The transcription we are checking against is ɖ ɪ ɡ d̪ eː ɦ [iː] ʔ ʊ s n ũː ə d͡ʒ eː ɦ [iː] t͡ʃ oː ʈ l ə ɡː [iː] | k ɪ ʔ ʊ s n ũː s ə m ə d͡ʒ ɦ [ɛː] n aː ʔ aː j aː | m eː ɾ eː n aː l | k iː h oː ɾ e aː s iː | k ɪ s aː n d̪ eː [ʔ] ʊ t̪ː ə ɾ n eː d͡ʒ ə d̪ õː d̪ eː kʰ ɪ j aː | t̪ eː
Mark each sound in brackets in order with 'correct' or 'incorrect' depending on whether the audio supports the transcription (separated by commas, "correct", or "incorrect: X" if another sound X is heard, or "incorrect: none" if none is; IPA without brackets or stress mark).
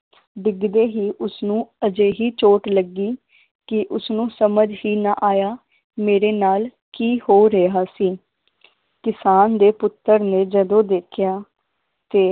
correct, correct, correct, incorrect: iː, incorrect: p